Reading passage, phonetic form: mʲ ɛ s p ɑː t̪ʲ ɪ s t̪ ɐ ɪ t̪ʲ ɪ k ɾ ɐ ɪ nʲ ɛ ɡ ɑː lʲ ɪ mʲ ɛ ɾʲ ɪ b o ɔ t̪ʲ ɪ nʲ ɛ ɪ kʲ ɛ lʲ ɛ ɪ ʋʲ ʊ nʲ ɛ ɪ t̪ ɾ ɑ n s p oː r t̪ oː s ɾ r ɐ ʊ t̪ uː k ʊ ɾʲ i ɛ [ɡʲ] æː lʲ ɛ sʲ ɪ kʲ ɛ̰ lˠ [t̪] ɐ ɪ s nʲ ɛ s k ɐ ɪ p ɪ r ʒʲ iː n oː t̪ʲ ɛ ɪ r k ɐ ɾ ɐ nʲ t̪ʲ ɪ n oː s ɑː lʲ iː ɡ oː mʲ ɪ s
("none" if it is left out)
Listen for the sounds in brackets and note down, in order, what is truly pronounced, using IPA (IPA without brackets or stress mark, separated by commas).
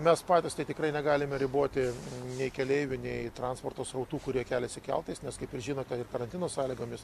kʲ, t̪